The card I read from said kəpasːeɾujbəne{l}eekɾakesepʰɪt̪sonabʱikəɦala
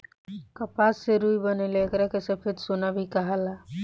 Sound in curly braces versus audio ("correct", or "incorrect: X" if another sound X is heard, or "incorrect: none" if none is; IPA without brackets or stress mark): correct